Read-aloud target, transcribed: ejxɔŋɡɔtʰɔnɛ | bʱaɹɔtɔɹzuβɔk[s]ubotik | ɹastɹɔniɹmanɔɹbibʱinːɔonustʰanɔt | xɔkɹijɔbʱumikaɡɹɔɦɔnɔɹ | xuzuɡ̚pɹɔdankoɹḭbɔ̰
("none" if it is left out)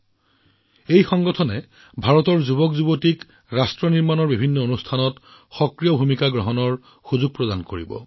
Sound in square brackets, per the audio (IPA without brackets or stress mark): z